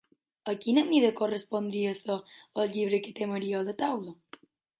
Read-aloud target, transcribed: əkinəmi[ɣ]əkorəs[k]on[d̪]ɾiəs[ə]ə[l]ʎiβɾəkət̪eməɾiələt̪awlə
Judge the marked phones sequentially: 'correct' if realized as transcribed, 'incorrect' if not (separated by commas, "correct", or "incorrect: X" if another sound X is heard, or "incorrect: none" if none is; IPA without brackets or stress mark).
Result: incorrect: ð, incorrect: p, correct, correct, correct